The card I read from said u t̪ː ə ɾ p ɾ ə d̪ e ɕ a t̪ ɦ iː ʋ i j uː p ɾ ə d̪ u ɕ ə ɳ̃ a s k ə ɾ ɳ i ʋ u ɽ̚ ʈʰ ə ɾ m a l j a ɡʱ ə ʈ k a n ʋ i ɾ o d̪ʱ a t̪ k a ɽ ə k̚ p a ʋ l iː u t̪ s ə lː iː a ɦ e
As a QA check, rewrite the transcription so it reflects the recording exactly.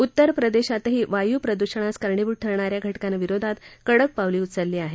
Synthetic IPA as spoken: u t̪ː ə ɾ p ɾ ə d̪ e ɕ a t̪ ɦ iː ʋ a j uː p ɾ ə d̪ u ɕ ə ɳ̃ a s k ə ɾ ɳ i ʋ u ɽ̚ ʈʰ ə ɾ ɳ a ɾ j a ɡʱ ə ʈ k a n ʋ i ɾ o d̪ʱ a t̪ k ə ɽ ə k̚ p a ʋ l iː u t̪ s ə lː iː a ɦ e